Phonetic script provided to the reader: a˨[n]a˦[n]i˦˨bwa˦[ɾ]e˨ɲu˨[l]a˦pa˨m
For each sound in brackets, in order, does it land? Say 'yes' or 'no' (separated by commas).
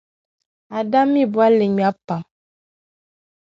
no, no, no, no